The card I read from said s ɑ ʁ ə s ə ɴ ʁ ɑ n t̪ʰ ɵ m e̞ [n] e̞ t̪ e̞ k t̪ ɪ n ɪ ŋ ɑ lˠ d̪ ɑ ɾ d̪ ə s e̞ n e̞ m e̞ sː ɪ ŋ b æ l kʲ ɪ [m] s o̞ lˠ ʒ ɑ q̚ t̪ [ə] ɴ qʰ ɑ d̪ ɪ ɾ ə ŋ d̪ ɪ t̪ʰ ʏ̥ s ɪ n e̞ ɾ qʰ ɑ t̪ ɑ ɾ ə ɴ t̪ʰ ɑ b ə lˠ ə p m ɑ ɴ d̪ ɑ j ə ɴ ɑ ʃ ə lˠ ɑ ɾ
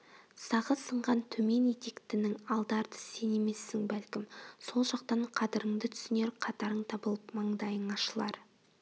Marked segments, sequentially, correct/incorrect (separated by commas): correct, correct, incorrect